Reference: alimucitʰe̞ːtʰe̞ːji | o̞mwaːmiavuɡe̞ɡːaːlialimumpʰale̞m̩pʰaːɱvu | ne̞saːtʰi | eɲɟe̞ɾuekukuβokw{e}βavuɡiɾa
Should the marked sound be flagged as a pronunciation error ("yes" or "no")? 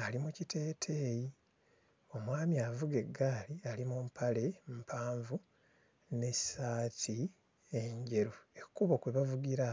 no